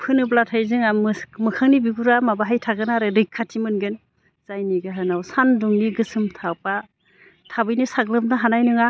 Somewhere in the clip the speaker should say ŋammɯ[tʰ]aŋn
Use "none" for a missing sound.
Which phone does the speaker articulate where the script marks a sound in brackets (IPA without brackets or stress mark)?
kʰ